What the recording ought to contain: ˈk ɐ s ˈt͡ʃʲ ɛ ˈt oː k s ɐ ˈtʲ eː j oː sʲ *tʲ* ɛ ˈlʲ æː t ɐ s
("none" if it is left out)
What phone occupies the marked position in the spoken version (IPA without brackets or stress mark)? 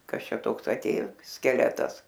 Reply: kʲ